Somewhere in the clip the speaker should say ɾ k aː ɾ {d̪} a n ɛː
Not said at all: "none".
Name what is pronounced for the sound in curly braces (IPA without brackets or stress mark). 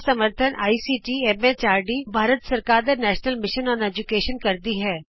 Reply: d̪